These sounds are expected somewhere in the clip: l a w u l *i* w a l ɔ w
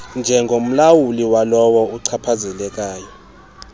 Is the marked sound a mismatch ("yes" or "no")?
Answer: no